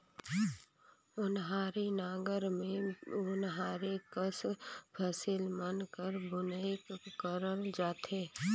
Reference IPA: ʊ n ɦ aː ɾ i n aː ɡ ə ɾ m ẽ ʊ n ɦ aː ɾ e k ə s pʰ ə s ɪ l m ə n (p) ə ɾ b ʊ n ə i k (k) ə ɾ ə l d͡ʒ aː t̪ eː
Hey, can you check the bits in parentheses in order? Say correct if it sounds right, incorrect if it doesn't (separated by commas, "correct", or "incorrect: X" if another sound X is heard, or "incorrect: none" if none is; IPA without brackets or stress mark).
incorrect: k, correct